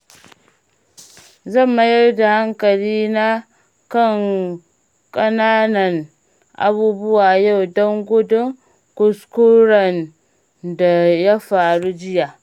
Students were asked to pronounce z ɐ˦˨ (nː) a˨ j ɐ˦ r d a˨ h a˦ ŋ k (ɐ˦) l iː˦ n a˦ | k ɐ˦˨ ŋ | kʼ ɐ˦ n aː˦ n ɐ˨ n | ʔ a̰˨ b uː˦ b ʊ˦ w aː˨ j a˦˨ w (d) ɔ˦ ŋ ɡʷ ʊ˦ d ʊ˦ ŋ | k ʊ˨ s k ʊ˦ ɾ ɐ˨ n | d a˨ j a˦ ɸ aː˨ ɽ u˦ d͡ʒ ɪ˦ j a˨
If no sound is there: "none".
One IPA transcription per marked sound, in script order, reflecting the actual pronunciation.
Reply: mː, ɐ˨, d

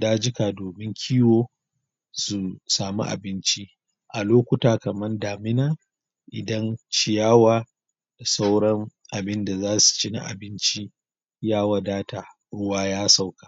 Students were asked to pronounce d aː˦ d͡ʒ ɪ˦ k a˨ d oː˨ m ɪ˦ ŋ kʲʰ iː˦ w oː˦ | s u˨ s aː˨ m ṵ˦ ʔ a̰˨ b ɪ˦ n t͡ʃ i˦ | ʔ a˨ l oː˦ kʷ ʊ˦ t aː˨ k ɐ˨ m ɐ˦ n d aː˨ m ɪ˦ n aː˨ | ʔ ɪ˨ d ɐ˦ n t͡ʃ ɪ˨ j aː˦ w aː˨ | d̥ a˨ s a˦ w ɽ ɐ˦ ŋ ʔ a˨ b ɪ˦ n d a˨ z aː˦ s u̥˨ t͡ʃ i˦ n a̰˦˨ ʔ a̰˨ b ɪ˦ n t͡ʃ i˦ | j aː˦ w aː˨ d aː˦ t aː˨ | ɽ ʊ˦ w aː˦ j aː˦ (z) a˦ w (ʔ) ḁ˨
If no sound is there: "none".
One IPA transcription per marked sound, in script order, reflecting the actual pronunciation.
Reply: s, k

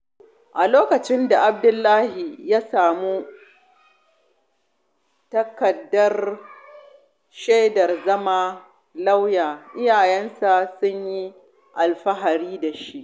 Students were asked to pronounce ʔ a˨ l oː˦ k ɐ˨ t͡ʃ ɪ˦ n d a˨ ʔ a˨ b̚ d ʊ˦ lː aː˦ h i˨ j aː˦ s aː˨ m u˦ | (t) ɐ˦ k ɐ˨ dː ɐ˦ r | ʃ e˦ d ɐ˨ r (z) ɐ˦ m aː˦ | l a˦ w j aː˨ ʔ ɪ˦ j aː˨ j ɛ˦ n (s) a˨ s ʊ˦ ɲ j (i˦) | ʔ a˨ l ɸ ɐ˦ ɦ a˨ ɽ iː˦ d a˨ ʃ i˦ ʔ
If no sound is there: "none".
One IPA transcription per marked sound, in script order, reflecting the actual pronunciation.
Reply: t, z, s, i˦

